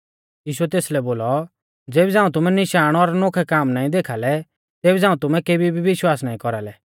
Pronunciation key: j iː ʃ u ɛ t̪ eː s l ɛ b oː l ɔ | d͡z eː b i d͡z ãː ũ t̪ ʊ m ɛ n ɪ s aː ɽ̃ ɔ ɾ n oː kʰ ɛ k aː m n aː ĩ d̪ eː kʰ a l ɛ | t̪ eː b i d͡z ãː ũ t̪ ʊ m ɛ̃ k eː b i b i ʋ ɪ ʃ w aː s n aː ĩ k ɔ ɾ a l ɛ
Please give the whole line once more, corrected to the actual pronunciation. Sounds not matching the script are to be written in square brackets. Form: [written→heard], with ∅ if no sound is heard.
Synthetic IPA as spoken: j iː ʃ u ɛ t̪ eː s l ɛ b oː l ɔ | d͡z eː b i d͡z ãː ũ t̪ ʊ m ɛ n ɪ [s→ʃ] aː ɽ̃ ɔ ɾ n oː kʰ ɛ k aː m n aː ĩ d̪ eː kʰ a l ɛ | t̪ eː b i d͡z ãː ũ t̪ ʊ m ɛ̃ k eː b i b i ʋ ɪ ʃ w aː s n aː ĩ k ɔ ɾ a l ɛ